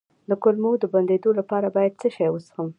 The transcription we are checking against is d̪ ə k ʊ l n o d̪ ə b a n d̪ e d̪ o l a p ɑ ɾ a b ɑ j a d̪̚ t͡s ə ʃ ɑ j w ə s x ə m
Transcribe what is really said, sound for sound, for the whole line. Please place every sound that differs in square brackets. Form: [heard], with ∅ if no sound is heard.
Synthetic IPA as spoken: d̪ ə k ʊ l [m] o d̪ ə b a n d̪ e d̪ o l a p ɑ ɾ a b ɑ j a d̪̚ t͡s ə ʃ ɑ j w ə s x ə m

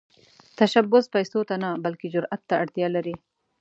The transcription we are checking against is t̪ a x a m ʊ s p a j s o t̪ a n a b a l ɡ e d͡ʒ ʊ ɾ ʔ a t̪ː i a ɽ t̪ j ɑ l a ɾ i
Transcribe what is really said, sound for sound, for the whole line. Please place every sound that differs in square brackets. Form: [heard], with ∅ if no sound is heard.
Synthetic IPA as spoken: t̪ a [ʃ] a [b] ʊ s p a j s o t̪ a n a b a l [k] e d͡ʒ ʊ ɾ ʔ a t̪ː [a] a ɽ t̪ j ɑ l a ɾ i

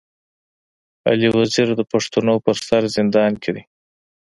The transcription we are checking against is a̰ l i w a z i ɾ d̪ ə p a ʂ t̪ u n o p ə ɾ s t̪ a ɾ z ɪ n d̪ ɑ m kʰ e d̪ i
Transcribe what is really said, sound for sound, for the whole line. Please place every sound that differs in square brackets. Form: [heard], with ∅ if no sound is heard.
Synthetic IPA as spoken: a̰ l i w a z i ɾ d̪ ə p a ʂ t̪ u n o p ə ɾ s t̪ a ɾ z ɪ n d̪ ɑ [n] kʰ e d̪ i

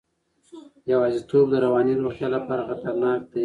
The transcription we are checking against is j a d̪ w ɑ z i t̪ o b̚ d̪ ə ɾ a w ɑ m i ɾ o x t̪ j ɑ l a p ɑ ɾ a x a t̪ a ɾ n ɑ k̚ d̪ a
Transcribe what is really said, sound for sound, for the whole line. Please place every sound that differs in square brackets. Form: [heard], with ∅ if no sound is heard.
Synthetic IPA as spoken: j a [∅] w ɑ z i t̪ o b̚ d̪ ə ɾ a w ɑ [n] i ɾ o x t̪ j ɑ l a p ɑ ɾ a x a t̪ a ɾ n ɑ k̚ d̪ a

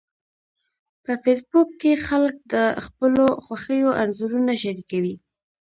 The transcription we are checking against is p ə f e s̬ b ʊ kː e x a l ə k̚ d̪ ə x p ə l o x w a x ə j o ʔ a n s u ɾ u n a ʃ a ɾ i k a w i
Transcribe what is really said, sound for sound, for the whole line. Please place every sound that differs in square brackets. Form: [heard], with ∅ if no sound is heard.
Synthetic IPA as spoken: p ə f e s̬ b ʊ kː e x a l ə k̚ d̪ ə x p ə l o x w a x ə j o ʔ a n [z] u ɾ u n a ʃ a ɾ i k a w i

